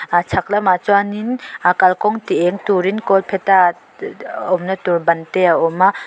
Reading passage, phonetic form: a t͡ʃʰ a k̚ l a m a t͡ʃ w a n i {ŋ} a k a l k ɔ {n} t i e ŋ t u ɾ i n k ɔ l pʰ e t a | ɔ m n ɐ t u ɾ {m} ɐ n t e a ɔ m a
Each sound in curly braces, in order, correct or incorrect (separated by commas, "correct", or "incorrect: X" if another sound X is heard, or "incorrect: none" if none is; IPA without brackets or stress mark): incorrect: n, incorrect: ŋ, incorrect: b